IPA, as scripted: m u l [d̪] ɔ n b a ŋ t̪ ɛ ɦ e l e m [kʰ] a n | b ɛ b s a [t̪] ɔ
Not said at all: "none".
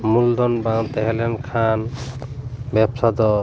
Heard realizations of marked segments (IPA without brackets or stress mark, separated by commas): d̪, kʰ, d̪